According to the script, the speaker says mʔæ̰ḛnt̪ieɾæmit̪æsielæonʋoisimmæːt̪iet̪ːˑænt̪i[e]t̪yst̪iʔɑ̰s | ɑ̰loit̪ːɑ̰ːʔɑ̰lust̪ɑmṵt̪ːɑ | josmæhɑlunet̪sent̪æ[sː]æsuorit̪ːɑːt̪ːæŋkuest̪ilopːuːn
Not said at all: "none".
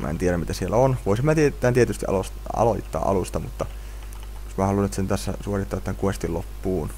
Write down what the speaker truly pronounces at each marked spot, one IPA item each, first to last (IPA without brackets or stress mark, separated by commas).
e, sː